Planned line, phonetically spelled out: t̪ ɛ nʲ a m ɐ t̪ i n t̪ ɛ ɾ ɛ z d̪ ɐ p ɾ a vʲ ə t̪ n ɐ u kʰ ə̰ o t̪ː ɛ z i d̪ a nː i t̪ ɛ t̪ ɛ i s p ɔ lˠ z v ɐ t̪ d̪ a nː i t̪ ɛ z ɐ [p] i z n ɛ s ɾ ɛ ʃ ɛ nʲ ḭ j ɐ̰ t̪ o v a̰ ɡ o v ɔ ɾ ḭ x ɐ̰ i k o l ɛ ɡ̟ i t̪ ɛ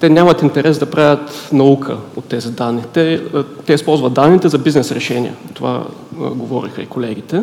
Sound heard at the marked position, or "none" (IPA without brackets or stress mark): b